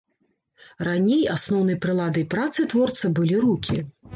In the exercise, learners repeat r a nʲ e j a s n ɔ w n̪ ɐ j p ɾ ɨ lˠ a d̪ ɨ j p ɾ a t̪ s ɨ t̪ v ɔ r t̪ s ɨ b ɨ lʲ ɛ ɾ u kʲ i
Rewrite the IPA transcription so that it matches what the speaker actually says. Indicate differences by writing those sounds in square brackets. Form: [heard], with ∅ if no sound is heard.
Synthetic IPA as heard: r a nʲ e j a s n ɔ w n̪ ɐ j p ɾ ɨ lˠ a d̪ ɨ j p ɾ a t̪ s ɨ t̪ v ɔ r t̪ s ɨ b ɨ lʲ [i] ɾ u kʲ i